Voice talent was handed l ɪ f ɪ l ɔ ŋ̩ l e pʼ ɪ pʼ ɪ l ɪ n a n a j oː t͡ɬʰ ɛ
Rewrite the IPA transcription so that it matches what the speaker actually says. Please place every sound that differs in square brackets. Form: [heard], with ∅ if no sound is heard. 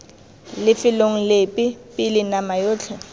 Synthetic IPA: l ɪ f ɪ l [o] ŋ̩ l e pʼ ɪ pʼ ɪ l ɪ n a [m] a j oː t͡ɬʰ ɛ